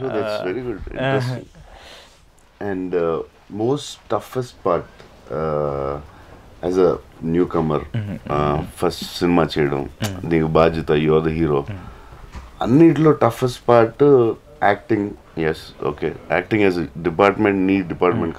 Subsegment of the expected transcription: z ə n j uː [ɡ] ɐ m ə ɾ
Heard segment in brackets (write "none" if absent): k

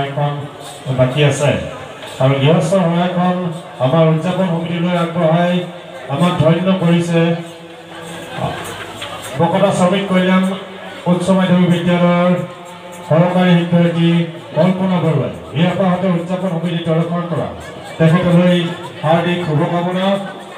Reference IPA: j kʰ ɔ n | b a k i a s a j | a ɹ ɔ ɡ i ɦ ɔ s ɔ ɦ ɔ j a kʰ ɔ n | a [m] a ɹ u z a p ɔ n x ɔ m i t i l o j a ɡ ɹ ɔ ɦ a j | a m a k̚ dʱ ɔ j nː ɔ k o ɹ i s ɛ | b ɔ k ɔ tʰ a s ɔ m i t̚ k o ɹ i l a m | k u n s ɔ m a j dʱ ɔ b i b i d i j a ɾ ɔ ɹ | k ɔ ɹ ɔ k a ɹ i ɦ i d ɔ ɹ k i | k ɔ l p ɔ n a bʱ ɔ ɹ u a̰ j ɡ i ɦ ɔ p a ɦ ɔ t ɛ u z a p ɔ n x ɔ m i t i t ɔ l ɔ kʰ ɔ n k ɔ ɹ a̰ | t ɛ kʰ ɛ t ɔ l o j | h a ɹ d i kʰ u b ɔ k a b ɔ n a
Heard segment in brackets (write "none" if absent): m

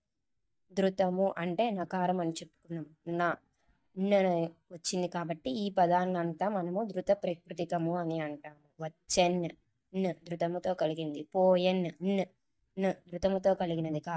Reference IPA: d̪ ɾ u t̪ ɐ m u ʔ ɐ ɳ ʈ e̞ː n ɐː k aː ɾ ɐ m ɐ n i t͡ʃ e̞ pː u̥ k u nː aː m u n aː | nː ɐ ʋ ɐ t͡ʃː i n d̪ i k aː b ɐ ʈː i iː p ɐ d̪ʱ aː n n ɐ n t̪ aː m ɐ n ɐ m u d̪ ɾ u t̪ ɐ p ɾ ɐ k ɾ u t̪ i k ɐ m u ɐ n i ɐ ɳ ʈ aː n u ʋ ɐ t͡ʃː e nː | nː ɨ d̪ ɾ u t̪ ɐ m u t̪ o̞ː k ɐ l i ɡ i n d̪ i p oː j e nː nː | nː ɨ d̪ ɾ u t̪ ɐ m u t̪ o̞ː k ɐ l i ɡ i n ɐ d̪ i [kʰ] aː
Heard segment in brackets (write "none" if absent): k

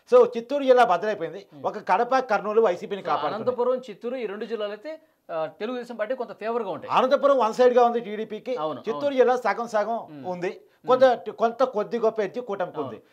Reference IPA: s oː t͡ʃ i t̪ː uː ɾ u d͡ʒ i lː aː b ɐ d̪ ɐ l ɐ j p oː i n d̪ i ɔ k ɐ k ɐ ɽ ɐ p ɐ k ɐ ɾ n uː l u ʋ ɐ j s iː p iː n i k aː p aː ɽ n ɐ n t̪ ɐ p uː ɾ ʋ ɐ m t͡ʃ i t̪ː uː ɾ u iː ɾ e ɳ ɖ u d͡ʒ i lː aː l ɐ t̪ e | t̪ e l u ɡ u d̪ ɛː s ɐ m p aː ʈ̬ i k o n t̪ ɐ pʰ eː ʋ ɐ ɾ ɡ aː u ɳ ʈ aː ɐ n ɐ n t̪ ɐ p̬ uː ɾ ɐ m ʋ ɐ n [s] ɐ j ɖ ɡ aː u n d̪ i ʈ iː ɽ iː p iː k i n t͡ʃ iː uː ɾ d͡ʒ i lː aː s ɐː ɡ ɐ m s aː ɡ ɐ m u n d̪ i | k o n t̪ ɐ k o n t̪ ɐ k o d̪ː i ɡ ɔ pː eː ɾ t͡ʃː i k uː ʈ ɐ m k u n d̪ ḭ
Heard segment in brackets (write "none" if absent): s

